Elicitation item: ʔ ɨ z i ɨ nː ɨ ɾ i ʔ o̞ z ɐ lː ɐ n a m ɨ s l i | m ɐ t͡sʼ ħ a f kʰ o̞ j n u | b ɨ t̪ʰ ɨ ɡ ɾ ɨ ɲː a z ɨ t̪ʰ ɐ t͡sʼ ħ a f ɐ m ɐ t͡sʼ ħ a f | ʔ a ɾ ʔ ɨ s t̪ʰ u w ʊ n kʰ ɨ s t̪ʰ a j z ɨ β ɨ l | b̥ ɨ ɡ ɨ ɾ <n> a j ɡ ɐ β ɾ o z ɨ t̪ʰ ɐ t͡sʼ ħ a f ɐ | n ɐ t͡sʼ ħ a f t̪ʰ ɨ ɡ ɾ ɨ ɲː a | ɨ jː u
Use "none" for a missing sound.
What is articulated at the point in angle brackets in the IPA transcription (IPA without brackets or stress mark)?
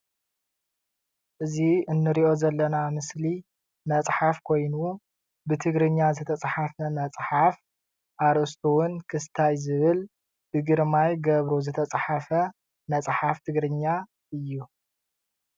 m